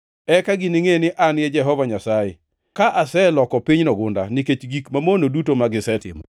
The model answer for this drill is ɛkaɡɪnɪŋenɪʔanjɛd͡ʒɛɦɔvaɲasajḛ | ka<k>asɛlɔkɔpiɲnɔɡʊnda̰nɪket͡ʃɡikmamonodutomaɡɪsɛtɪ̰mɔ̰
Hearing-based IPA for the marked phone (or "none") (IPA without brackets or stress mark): ʔ